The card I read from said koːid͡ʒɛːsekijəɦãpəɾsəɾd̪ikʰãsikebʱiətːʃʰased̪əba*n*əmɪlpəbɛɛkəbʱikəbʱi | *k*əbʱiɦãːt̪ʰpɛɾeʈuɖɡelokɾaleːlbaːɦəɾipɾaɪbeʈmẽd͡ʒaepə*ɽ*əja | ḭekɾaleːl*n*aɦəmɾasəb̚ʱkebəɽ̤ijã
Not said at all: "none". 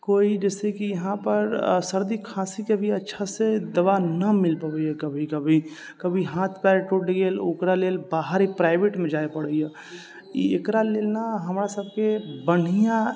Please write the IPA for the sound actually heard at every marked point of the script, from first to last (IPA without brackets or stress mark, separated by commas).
n, k, ɽ, n